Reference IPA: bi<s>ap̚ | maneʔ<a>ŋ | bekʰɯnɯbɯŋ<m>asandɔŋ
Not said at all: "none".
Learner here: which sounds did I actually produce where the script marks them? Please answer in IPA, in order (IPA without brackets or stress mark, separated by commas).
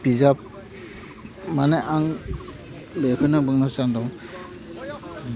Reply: z, a, n